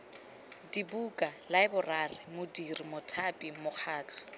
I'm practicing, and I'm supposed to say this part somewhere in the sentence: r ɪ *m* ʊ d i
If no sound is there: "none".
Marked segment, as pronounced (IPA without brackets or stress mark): m